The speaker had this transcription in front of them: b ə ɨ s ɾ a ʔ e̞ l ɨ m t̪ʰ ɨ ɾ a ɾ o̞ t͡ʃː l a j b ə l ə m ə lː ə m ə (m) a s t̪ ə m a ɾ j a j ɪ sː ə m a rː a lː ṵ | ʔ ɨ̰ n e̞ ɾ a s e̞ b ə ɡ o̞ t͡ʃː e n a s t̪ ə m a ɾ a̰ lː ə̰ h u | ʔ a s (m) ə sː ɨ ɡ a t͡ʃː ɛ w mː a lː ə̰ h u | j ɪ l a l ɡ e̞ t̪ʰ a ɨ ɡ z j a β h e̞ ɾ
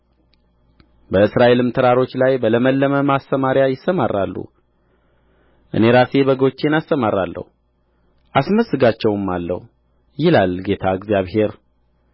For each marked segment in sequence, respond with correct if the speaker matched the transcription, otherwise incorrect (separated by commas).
correct, correct